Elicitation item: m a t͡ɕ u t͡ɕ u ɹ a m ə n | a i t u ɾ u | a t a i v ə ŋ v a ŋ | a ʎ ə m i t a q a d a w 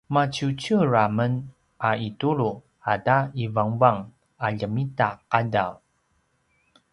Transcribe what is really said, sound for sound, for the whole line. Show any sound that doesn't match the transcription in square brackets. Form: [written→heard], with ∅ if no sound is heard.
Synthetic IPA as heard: m a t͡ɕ u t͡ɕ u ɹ a m ə n | a i t u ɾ u | a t a i v [ə→a] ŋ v a ŋ | a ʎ ə m i t a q a d a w